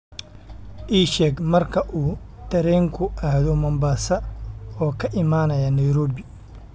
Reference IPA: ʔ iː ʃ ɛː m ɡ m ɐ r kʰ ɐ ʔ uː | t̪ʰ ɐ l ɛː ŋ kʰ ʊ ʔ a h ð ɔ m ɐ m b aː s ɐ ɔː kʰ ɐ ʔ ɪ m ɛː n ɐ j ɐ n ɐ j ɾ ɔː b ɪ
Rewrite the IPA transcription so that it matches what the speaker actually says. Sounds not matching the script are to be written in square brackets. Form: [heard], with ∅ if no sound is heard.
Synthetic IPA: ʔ iː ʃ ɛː [∅] ɡ m ɐ r kʰ ɐ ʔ uː | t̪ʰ ɐ [ɾ] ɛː ŋ kʰ ʊ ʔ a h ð ɔ m ɐ m b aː s ɐ ɔː kʰ ɐ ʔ ɪ m [aː] n ɐ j ɐ n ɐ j ɾ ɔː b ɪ